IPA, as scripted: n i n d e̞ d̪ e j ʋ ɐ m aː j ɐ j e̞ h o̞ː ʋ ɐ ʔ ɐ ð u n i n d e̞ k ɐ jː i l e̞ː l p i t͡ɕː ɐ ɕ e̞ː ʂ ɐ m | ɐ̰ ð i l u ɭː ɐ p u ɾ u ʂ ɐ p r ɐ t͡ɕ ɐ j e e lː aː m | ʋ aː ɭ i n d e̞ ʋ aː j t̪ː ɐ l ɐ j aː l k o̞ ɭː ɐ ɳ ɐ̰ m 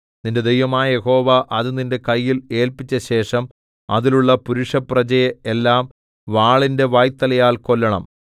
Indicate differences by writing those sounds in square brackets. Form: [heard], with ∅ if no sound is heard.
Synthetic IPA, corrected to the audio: n i n d e̞ d̪ e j ʋ ɐ m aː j ɐ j e̞ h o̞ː ʋ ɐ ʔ ɐ ð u n i n d e̞ k ɐ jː i l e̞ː l p i t͡ɕː ɐ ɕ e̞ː ʂ ɐ m | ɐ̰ ð i l u ɭː ɐ p u ɾ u ʂ ɐ p r ɐ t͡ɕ ɐ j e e lː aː m | ʋ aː ɭ i n d e̞ ʋ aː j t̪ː ɐ l ɐ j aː l k o̞ [lː] ɐ ɳ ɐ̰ m